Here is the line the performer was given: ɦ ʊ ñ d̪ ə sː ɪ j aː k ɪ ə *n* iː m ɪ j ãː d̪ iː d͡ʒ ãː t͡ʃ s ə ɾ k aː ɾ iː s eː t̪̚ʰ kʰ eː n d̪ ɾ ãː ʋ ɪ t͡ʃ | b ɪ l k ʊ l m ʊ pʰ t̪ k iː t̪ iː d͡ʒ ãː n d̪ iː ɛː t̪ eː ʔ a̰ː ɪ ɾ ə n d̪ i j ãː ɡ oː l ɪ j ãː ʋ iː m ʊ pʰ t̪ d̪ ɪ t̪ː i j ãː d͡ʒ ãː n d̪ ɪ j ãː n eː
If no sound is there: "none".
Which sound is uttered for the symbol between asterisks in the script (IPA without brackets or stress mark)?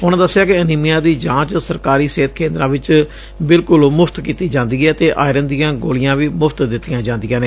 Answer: n